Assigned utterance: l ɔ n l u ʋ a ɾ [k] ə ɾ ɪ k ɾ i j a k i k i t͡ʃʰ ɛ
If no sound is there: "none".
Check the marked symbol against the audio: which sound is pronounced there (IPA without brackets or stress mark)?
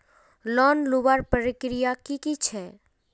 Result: p